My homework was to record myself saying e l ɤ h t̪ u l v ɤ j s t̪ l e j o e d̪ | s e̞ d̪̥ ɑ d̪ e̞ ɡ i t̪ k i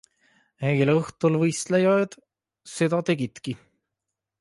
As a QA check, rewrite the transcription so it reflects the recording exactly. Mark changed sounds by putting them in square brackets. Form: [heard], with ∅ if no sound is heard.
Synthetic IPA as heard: e l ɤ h t̪ u l v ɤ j s t̪ l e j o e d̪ | s e̞ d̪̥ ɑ [t̪] e̞ ɡ i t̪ k i